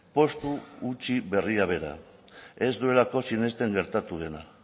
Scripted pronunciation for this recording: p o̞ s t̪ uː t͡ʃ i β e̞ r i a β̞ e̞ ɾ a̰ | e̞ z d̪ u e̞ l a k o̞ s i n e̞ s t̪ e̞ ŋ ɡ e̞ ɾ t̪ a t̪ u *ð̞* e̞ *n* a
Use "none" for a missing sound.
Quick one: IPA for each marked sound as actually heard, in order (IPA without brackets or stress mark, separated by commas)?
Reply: ð̞, n